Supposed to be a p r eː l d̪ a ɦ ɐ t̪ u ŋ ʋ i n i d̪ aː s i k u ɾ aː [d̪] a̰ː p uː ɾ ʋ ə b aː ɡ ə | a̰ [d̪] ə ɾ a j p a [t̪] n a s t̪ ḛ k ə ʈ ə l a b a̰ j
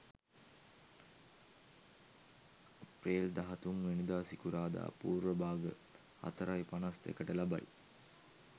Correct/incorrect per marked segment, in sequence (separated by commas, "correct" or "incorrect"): correct, incorrect, incorrect